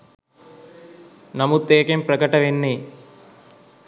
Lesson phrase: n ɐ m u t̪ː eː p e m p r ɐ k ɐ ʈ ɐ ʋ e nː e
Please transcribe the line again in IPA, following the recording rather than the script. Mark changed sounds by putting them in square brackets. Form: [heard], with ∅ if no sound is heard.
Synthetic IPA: n ɐ m u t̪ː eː [k] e m p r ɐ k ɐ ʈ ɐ ʋ e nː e